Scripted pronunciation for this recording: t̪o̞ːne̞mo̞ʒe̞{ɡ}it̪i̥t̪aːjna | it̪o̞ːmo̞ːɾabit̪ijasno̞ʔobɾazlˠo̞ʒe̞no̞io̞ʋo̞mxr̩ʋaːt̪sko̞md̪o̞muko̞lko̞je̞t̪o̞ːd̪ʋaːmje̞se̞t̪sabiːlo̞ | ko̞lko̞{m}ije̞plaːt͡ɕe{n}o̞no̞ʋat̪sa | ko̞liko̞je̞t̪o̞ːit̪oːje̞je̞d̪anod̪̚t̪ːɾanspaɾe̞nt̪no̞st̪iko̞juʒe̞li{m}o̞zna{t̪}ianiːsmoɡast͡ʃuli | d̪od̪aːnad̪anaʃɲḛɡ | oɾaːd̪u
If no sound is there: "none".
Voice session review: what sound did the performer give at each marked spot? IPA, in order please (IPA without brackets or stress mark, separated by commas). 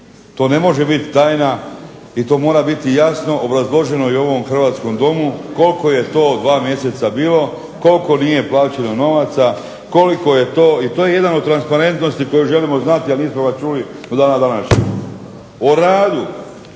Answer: b, n, n, m, t̪